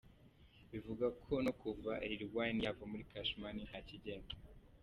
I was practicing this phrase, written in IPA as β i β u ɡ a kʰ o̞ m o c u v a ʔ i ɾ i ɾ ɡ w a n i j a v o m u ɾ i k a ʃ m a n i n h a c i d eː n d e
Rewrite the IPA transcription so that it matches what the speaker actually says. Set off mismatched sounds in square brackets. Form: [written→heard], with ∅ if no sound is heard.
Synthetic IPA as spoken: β i [β→v] u ɡ a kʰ o̞ [m→n] o [c→k] u v a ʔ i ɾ i ɾ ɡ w a n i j a v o m u ɾ i k a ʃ m a n i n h a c i [d→ɟ] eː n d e